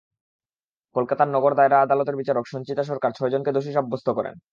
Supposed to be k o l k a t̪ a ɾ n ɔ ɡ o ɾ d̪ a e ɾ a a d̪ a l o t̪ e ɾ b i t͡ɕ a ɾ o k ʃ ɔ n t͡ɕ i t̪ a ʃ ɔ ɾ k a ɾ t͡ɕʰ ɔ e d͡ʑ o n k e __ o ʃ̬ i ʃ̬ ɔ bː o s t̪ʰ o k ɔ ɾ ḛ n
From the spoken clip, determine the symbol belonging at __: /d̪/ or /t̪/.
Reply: d̪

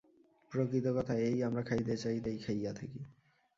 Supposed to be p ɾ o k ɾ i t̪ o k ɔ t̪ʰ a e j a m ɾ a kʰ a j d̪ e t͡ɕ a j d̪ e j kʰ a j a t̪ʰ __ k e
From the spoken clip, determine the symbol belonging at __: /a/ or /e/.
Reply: e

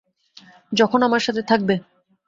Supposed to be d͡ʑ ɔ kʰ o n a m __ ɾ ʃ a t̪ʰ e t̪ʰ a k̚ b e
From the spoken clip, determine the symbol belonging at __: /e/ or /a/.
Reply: a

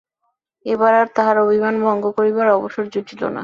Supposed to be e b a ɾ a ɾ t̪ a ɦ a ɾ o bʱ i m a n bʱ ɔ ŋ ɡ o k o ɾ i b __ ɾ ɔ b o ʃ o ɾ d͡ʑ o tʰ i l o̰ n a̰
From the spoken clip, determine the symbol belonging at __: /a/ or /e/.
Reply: a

